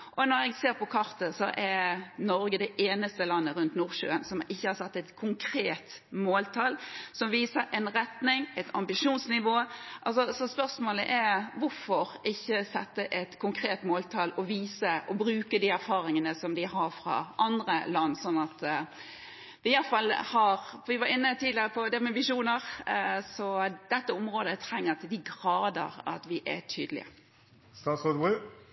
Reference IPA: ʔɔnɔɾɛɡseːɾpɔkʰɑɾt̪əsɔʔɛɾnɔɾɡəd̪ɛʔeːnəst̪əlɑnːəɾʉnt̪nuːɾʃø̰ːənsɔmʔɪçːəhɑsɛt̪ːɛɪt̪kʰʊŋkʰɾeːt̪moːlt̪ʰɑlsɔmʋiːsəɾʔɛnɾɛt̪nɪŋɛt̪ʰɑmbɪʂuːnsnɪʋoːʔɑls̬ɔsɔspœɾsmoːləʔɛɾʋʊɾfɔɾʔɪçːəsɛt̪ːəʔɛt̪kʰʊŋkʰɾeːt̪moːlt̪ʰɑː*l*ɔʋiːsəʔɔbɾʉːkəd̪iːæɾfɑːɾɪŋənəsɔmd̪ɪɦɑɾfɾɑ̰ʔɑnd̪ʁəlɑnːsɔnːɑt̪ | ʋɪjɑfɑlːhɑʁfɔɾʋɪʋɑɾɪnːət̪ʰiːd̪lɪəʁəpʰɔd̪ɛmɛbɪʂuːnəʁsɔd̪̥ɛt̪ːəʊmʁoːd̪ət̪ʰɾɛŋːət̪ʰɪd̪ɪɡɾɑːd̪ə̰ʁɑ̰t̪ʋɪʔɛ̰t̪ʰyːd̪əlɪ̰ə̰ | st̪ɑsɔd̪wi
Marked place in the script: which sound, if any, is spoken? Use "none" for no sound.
l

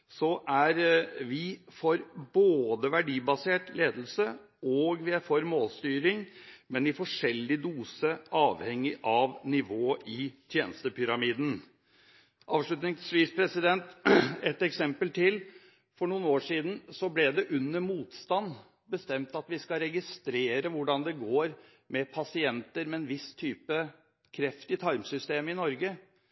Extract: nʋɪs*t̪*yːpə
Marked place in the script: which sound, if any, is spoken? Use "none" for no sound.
t̪ʰ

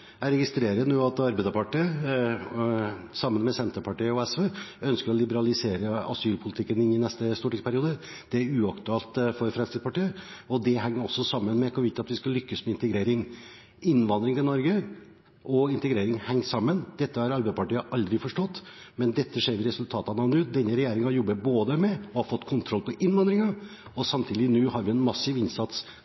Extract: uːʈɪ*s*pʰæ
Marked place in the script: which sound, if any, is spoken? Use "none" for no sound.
s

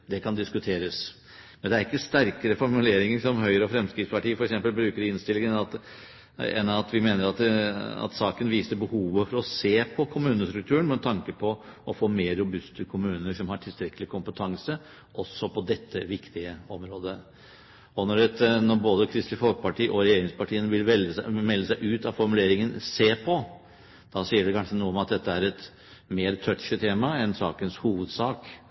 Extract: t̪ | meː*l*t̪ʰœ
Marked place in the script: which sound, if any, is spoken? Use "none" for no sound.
ɾ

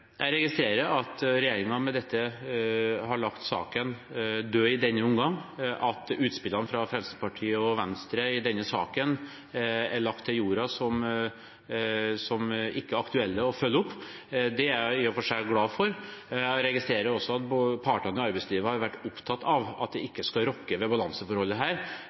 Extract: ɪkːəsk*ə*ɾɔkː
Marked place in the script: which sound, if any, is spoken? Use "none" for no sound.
ɑ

